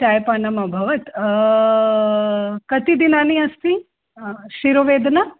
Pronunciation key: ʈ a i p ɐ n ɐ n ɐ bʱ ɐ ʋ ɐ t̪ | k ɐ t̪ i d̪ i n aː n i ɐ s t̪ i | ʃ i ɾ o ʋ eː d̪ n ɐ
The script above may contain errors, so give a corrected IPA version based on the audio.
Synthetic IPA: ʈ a j p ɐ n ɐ m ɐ bʱ ɐ ʋ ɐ t̪ | k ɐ t̪ i d̪ i n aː n i ɐ s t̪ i | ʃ i ɾ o ʋ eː d̪ n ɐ